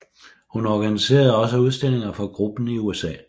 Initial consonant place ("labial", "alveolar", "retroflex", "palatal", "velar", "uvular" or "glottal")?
glottal